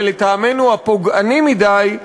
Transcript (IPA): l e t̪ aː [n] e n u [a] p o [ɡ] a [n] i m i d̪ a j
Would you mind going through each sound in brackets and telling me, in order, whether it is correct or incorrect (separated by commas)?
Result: incorrect, correct, correct, correct